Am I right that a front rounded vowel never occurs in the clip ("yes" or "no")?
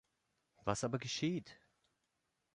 yes